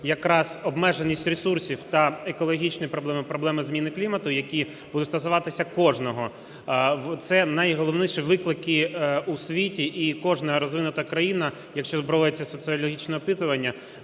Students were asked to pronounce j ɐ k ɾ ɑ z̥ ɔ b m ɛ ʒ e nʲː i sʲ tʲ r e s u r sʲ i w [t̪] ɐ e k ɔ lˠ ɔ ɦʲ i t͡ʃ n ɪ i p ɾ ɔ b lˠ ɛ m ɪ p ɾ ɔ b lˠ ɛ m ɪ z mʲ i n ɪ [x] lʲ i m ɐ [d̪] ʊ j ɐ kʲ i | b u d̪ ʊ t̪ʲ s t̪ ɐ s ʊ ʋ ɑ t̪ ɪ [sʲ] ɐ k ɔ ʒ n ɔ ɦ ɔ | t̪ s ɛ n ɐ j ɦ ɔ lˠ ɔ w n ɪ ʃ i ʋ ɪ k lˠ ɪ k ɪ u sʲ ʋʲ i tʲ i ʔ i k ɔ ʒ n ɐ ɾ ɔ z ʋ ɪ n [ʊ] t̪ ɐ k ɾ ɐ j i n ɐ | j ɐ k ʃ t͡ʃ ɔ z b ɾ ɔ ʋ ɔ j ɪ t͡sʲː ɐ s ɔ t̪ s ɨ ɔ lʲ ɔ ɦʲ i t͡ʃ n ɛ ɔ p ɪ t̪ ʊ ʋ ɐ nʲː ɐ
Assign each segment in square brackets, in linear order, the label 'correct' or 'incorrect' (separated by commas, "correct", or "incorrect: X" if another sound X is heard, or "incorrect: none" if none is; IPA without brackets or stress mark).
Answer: correct, incorrect: k, incorrect: t̪, correct, correct